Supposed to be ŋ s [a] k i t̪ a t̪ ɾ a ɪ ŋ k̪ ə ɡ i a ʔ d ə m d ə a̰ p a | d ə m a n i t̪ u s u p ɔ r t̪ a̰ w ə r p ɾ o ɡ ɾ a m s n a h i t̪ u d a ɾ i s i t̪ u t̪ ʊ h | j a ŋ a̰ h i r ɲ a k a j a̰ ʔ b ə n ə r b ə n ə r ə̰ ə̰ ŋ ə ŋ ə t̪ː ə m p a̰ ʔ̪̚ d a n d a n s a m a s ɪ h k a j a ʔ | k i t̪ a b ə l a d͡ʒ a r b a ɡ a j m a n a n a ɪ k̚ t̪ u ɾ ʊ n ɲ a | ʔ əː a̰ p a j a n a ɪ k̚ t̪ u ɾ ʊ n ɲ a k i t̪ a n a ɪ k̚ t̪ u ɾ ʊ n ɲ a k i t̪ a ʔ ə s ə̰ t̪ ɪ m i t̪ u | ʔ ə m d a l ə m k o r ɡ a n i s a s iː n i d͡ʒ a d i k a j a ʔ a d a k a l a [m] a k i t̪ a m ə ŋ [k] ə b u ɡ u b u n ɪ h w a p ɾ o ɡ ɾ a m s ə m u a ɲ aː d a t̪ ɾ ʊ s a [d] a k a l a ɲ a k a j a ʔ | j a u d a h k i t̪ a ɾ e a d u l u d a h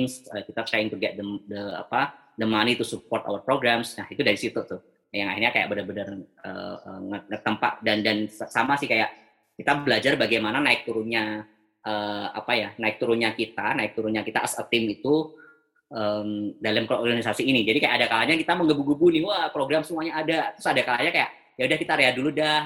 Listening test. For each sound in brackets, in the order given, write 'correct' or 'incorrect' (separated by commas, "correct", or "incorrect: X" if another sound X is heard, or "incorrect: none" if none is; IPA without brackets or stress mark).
incorrect: ə, incorrect: ɲ, incorrect: ɡ, correct